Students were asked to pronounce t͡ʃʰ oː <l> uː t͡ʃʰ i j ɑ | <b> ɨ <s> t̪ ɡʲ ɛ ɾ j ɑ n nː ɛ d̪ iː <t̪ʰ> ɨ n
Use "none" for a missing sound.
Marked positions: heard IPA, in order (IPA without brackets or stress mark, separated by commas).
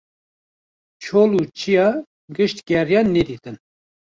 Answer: l, ɡ, ʃ, t̪